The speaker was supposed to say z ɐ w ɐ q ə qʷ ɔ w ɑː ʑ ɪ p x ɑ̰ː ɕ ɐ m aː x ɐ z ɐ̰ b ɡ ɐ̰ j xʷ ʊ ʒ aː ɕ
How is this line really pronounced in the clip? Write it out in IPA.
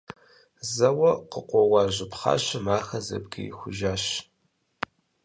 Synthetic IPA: z ɐ w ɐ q ə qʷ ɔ w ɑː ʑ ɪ p χ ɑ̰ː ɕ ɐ m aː x ɐ z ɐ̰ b ɡ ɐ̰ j xʷ ʊ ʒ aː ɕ

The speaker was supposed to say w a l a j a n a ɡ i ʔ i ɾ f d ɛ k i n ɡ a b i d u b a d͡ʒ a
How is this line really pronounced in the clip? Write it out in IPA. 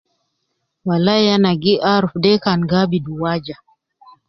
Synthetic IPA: w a l a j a n a ɡ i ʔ a ɾ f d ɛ k a n ɡ a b i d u w a d͡ʒ a

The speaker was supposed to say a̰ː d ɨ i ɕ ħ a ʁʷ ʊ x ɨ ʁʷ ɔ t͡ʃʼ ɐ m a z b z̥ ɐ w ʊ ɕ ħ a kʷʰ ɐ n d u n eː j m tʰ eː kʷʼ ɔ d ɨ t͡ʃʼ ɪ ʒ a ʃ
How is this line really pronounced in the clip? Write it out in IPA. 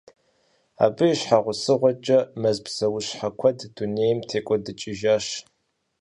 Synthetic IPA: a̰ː b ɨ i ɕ ħ a ʁʷ ʊ s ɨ ʁʷ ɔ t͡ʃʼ ɐ m ɐ z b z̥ ɐ w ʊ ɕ ħ a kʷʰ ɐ d d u n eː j m tʰ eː kʷʼ ɔ d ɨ t͡ʃʼ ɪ ʒ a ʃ

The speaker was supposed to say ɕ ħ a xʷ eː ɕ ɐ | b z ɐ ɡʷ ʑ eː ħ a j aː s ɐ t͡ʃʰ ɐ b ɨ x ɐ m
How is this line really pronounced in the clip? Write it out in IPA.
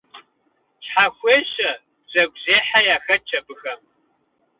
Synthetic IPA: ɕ ħ a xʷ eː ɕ ɐ | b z ɐ ɡʷ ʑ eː ħ a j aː x ɐ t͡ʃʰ ɐ b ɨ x ɐ m

